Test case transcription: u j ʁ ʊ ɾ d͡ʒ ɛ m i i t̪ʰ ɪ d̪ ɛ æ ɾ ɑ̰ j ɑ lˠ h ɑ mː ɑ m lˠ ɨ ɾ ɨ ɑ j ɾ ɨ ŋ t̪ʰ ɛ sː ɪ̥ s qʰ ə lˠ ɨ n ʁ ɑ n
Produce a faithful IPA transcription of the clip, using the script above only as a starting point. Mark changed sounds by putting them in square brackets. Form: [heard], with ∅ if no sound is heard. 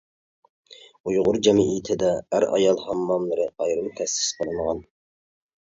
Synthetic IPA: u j ʁ ʊ ɾ d͡ʒ ɛ m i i t̪ʰ ɪ d̪ ɛ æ ɾ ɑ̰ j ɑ lˠ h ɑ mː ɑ m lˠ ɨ ɾ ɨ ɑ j ɾ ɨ [m] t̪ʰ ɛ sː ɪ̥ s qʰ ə lˠ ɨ n ʁ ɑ n